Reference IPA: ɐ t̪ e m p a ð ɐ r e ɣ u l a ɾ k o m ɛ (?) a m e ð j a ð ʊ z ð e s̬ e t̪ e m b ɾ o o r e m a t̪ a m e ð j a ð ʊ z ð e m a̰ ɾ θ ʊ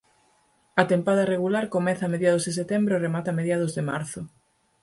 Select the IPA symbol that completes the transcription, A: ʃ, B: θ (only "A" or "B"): B